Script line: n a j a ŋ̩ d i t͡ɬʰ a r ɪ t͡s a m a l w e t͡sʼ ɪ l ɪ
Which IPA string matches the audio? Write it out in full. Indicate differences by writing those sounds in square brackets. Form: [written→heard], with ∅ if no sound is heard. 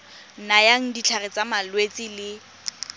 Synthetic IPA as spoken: n a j a ŋ̩ d i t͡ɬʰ a r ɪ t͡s a m a l w e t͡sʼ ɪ l ɪ